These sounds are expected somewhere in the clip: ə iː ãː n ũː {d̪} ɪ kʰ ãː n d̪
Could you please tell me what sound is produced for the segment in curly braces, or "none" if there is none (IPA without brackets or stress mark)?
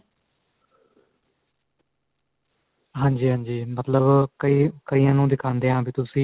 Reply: d̪